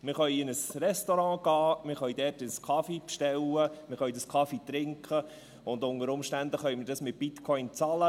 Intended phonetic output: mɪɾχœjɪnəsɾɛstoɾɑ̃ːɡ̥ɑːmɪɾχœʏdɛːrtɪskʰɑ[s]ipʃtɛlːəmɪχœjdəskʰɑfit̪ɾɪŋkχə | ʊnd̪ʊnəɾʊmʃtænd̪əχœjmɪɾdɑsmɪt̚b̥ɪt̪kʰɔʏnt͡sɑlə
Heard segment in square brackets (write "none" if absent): f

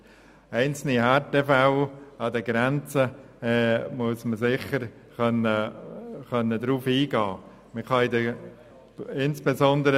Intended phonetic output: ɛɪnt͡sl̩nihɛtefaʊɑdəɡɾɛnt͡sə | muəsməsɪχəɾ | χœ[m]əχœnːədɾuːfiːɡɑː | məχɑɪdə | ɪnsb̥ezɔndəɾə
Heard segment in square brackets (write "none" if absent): n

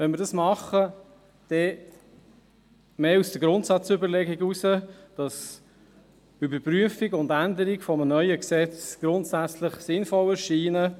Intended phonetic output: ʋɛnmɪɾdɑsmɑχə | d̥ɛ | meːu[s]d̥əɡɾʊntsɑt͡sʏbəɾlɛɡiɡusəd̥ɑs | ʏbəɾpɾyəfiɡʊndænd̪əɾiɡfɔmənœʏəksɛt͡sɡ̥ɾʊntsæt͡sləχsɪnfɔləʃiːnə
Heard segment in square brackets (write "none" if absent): s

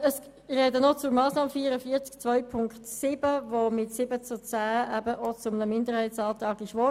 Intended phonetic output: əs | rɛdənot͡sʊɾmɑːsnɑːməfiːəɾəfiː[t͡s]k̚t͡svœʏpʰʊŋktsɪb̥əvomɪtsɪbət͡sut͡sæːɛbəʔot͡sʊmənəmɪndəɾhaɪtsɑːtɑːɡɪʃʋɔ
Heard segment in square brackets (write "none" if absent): t͡s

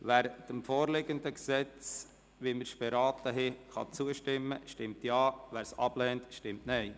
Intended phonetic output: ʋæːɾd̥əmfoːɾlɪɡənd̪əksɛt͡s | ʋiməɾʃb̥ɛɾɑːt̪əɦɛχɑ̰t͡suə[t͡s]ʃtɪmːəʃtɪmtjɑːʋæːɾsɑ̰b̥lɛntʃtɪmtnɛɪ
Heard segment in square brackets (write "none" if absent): none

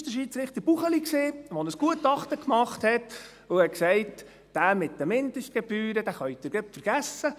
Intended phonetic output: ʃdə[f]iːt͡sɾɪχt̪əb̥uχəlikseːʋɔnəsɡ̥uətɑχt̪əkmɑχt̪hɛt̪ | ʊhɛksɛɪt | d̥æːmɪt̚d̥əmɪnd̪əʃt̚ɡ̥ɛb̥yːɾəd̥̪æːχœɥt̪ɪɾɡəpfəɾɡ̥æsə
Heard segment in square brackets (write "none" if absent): ʃ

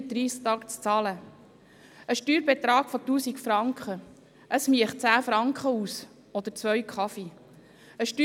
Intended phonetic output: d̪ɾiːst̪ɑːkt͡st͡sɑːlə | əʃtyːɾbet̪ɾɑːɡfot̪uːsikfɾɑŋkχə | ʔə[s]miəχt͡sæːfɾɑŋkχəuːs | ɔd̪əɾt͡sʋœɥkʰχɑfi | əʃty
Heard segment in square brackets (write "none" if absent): s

